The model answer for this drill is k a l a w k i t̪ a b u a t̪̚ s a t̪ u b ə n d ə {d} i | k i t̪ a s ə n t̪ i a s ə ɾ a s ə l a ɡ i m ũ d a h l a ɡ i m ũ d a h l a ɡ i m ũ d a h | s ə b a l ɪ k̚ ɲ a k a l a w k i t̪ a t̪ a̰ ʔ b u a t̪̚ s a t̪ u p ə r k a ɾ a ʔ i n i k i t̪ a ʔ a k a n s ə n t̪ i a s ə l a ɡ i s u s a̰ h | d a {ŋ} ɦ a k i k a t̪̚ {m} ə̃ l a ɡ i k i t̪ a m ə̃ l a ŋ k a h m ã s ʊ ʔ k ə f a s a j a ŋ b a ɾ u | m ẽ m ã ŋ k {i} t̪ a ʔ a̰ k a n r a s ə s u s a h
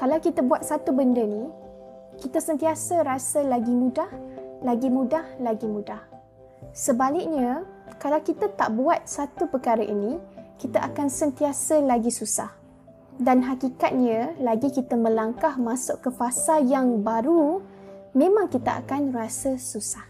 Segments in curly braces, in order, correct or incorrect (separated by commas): incorrect, incorrect, incorrect, correct